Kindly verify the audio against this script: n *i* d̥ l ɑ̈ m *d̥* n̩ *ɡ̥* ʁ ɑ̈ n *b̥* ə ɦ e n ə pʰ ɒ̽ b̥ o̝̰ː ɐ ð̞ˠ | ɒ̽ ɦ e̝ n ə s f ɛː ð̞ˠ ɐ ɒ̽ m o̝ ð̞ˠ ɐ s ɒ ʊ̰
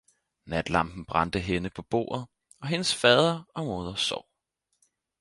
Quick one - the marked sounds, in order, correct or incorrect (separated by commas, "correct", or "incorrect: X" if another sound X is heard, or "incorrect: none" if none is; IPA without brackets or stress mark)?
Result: incorrect: æ, incorrect: b̥, incorrect: b̥, incorrect: d̥